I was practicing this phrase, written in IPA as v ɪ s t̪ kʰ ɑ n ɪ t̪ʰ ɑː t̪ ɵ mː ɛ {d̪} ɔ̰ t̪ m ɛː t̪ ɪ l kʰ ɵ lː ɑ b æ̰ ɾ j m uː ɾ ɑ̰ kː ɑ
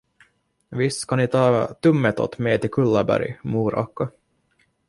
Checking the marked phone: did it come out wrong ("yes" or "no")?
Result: yes